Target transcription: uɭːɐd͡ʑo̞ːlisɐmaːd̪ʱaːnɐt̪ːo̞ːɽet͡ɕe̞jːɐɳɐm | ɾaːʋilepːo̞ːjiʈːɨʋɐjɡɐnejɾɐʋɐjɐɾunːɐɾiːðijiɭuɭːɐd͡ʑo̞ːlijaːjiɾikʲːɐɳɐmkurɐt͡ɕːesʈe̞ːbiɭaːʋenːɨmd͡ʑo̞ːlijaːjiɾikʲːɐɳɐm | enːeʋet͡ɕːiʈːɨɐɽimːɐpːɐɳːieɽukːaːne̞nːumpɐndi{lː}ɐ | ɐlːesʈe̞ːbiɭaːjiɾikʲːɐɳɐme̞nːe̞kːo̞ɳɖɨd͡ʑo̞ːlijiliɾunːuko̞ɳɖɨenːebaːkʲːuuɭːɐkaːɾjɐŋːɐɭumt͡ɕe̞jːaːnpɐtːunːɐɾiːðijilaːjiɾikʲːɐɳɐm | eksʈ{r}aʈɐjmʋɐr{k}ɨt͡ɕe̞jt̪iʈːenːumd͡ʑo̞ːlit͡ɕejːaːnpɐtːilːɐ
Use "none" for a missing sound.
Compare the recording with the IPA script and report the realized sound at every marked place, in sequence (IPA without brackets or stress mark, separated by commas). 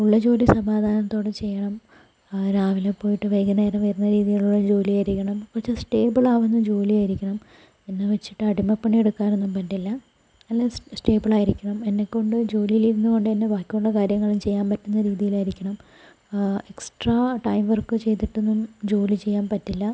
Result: lː, r, k